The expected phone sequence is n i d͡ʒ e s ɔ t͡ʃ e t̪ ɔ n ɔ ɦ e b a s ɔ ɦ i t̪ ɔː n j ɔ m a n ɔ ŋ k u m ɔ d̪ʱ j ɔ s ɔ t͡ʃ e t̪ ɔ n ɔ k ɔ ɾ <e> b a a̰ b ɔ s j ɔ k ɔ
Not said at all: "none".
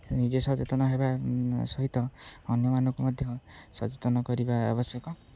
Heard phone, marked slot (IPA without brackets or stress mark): i